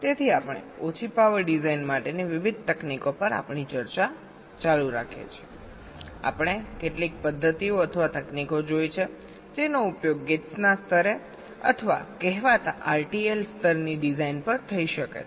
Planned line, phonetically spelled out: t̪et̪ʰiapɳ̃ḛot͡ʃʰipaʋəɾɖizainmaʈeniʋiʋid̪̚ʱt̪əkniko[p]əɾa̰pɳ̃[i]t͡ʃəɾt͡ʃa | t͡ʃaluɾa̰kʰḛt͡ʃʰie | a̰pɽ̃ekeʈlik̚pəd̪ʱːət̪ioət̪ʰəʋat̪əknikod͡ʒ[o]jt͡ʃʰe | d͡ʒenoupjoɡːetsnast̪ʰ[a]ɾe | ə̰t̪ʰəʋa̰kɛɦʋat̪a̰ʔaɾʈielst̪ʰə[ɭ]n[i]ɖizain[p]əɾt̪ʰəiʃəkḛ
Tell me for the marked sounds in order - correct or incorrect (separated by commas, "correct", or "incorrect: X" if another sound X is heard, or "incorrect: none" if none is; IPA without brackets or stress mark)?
correct, correct, correct, incorrect: ə, incorrect: ɾ, correct, correct